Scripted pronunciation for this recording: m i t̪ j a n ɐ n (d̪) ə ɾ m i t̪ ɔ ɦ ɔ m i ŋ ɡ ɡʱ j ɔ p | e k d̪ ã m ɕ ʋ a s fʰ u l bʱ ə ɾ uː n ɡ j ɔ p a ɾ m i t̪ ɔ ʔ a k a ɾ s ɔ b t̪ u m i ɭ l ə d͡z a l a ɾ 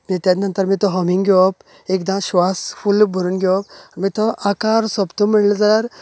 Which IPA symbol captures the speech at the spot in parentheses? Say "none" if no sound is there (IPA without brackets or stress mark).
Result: t̪